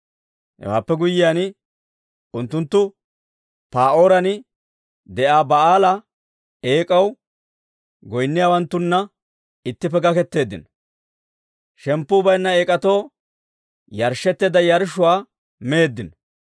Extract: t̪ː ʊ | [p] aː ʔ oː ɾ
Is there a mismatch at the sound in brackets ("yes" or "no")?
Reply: no